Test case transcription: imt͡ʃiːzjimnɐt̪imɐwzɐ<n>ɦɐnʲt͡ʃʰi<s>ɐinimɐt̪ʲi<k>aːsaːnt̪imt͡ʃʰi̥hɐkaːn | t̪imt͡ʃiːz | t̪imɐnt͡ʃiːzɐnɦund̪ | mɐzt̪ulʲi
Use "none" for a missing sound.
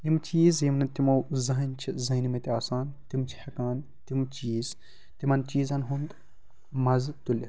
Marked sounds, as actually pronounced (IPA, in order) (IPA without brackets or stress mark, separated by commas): none, z, none